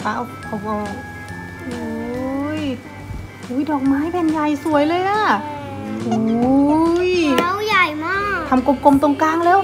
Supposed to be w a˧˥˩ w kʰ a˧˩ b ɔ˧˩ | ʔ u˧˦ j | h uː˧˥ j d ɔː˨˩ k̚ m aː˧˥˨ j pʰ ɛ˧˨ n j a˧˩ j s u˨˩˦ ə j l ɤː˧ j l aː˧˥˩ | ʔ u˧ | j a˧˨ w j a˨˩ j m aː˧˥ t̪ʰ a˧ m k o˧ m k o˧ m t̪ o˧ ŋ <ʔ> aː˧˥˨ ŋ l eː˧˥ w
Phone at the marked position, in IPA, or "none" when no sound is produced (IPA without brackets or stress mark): k